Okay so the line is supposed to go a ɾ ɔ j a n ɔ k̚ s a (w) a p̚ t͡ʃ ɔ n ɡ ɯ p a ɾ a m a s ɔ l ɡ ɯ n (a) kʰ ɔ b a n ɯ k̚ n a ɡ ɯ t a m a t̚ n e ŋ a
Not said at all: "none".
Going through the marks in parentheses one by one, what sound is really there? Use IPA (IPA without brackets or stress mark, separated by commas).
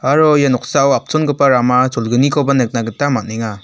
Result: w, i